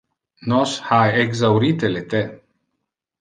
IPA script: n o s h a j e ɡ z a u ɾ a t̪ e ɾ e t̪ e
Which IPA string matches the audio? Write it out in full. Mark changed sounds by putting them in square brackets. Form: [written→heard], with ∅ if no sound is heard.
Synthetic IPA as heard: n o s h a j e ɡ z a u ɾ [a→i] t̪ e [ɾ→l] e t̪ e